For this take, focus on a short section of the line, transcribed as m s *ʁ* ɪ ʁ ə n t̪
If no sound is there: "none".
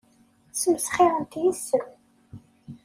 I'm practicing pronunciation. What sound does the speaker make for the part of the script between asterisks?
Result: χ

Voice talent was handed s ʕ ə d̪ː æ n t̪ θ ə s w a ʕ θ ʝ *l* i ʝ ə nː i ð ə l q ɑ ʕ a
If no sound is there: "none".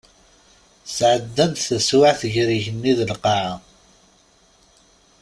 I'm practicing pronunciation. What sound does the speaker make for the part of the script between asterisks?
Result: ɾ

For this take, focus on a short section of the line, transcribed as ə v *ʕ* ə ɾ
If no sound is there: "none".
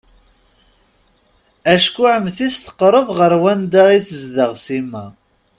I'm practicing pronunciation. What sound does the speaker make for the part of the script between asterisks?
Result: ʁ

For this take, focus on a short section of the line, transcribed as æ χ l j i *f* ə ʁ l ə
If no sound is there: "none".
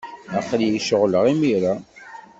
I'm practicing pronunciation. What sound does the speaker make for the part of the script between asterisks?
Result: ʃ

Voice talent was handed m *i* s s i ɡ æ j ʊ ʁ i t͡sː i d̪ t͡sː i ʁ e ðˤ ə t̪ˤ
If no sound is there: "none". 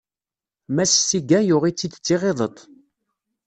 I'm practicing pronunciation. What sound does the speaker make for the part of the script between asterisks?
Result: æ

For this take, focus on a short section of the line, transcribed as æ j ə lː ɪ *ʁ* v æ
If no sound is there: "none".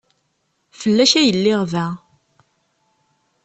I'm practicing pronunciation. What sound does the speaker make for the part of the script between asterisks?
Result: ʁ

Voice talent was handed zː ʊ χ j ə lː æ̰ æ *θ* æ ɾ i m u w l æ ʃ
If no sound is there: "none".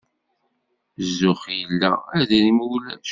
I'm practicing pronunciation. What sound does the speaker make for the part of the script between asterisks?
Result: ð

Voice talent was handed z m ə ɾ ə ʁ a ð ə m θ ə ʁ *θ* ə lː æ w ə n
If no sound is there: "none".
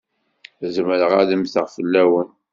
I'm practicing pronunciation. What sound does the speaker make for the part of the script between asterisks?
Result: f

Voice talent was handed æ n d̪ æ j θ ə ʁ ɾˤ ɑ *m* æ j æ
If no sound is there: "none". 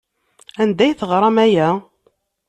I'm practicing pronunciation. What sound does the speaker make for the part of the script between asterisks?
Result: m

